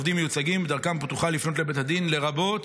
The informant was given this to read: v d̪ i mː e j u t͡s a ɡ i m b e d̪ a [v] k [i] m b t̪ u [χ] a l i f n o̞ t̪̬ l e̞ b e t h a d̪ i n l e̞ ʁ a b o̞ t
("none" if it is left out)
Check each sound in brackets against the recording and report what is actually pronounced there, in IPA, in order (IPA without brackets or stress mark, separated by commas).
ʁ, a, χ